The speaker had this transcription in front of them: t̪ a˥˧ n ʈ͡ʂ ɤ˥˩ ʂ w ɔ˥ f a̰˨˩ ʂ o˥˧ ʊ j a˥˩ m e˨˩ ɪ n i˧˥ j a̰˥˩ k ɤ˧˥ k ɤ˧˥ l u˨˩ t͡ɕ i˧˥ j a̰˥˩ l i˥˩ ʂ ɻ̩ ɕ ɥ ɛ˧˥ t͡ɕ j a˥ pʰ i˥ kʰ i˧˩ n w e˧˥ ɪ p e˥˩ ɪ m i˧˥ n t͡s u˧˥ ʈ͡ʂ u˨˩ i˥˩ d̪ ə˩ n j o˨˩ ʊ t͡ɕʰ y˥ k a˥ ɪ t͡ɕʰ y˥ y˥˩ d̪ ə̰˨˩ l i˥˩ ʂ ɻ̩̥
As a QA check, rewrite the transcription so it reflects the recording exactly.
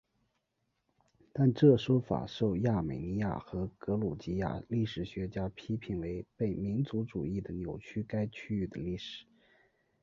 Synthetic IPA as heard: t̪ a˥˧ n ʈ͡ʂ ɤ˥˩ ʂ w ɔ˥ f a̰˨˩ ʂ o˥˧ ʊ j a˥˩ m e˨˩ ɪ n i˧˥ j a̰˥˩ x ɤ˧˥ k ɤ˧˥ l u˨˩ t͡ɕ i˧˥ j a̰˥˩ l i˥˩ ʂ ɻ̩ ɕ ɥ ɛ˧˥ t͡ɕ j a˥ pʰ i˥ pʰ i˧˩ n w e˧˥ ɪ p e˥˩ ɪ m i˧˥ n t͡s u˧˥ ʈ͡ʂ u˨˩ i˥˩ d̪ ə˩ n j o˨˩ ʊ t͡ɕʰ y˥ k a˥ ɪ t͡ɕʰ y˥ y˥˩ d̪ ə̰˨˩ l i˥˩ ʂ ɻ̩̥

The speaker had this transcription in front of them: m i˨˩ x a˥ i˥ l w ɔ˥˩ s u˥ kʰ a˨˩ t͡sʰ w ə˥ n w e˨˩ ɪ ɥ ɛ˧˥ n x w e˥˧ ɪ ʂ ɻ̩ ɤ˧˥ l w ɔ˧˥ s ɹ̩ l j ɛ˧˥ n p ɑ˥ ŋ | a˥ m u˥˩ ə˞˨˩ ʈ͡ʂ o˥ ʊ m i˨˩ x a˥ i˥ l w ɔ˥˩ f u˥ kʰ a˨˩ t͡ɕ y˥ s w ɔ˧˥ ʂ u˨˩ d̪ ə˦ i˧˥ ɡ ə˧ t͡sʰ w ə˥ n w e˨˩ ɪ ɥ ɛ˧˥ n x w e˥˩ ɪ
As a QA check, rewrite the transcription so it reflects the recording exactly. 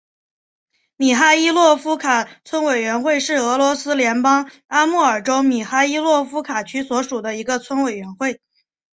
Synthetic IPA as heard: m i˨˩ x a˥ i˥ l w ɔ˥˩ f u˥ kʰ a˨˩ t͡sʰ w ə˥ n w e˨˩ ɪ ɥ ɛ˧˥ n x w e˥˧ ɪ ʂ ɻ̩ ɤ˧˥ l w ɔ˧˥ s ɹ̩ l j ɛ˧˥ n p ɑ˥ ŋ | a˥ m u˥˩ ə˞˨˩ ʈ͡ʂ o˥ ʊ m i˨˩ x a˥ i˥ l w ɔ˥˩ f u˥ kʰ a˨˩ t͡ɕʰ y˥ s w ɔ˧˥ ʂ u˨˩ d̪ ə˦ i˧˥ ɡ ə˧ t͡sʰ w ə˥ n w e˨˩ ɪ ɥ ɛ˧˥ n x w e˥˩ ɪ

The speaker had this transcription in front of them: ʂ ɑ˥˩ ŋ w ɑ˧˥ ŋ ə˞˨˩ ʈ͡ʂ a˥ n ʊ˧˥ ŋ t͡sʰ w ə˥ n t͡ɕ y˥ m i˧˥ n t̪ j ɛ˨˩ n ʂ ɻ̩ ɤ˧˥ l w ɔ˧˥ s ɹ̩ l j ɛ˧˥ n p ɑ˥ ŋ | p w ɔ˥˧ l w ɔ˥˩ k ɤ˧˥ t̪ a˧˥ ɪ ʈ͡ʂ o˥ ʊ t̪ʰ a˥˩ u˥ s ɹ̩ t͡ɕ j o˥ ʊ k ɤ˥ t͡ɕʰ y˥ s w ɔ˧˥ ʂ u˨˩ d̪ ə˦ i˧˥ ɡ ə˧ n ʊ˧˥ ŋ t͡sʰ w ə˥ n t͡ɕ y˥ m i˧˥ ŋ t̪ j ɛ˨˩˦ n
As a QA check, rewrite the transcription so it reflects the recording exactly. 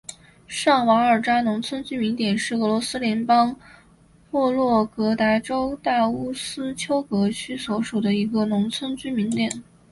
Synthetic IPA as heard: ʂ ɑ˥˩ ŋ w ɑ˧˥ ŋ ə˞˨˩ ʈ͡ʂ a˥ n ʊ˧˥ ŋ t͡sʰ w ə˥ n t͡ɕ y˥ m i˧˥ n t̪ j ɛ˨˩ n ʂ ɻ̩ ɤ˧˥ l w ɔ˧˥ s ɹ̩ l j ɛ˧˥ n p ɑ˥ ŋ | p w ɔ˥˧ l w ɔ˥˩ k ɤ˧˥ t̪ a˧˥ ɪ ʈ͡ʂ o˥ ʊ t̪ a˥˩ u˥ s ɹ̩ t͡ɕʰ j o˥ ʊ k ɤ˧˥ t͡ɕʰ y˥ s w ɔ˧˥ ʂ u˨˩ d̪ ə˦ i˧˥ ɡ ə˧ n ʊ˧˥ ŋ t͡sʰ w ə˥ n t͡ɕ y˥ m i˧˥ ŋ t̪ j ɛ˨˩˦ n

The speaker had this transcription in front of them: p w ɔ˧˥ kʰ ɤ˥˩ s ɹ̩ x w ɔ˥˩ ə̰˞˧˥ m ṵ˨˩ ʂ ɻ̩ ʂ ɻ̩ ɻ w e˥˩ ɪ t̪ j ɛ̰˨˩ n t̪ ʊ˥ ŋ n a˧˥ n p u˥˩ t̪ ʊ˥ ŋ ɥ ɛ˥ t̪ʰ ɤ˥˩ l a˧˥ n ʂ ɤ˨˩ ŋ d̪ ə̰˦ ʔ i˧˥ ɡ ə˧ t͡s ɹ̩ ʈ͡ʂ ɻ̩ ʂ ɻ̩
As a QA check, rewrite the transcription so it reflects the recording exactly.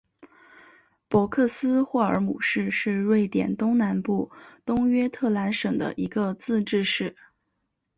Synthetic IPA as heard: p w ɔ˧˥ kʰ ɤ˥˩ s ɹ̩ x w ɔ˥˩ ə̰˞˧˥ m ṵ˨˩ ʂ ɻ̩ ʂ ɻ̩ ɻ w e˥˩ ɪ t̪ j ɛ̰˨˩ n t̪ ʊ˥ ŋ n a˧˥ n p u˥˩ t̪ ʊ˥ ŋ ɥ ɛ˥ t̪ʰ ɤ˥˩ l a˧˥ n ʂ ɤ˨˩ ŋ d̪ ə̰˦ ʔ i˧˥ ɡ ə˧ t͡s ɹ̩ ʈ͡ʂ ɻ̩ ʂ ɻ̩

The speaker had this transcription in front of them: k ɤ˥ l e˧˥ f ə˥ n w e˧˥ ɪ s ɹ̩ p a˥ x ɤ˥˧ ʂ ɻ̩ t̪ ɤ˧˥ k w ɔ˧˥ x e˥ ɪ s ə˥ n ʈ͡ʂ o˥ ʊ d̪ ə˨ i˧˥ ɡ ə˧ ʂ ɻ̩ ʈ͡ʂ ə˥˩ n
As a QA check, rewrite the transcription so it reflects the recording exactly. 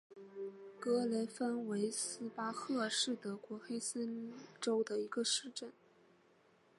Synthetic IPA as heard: k ɤ˥ l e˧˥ f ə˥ n w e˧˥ ɪ s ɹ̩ p a˥ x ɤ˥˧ ʂ ɻ̩ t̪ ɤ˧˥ k w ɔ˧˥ x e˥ ɪ s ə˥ n ʈ͡ʂ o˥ ʊ d̪ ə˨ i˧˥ ɡ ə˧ ʂ ɻ̩ ʈ͡ʂ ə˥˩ n

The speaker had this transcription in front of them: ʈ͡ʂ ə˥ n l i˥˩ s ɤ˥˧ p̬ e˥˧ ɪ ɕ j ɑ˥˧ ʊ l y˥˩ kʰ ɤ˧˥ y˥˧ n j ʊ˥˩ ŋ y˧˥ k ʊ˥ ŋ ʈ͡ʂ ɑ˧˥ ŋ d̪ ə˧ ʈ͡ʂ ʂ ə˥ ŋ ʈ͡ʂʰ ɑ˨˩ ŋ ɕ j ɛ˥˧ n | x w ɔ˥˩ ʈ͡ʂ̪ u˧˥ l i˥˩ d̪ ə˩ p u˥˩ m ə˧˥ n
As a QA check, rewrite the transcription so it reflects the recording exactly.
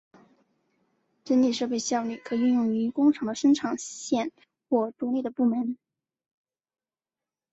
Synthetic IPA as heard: ʈ͡ʂ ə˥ n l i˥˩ ʂ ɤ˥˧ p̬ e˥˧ ɪ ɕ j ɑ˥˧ ʊ l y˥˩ kʰ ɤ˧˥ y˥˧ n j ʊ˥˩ ŋ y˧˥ k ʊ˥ ŋ ʈ͡ʂʰ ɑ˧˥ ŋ d̪ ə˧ ʂ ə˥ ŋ ʈ͡ʂʰ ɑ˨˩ ŋ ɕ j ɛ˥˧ n | x w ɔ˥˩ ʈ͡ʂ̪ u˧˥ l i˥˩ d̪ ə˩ p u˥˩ m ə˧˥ n

